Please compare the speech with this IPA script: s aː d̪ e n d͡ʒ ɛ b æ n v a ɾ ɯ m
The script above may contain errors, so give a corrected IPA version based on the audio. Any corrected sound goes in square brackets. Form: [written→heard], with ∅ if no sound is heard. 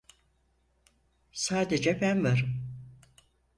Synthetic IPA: s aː d̪ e [n→∅] d͡ʒ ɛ b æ n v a ɾ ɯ m